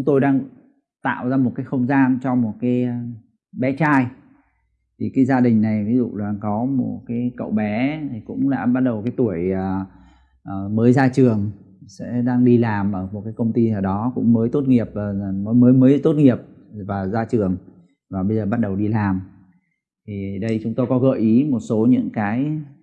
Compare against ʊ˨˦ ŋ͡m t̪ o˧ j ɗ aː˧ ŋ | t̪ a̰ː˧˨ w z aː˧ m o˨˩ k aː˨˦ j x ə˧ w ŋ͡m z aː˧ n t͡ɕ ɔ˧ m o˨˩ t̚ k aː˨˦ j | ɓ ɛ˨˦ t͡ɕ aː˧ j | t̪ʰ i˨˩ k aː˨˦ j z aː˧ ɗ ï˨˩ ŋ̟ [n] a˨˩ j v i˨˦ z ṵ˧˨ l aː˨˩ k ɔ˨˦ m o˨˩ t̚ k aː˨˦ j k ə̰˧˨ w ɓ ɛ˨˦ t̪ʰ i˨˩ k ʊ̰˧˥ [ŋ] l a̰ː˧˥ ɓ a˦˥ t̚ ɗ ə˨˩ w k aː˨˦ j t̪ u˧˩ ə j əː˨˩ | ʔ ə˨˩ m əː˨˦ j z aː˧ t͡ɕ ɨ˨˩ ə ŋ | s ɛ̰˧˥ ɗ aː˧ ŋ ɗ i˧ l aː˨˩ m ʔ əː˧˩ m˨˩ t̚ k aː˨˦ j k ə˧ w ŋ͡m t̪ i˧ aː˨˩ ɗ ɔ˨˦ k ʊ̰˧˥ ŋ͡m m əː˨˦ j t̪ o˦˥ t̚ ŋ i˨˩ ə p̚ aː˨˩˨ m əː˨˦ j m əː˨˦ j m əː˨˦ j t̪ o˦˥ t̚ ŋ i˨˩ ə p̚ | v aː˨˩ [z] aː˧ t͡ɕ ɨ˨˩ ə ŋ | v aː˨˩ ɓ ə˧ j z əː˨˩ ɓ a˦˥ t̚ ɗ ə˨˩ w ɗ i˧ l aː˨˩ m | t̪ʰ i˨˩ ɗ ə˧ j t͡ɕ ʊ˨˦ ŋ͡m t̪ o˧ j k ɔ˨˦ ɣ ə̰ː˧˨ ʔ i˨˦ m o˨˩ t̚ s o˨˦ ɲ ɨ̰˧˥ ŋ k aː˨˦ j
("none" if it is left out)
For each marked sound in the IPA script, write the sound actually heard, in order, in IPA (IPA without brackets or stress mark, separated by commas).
n, ŋ͡m, z